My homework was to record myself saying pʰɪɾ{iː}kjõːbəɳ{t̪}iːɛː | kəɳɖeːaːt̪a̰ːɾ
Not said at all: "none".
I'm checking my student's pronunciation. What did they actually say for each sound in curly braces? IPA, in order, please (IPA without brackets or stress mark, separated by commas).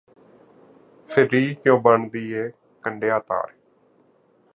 iː, d̪